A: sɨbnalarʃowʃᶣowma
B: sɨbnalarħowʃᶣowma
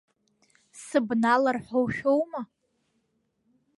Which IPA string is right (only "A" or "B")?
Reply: B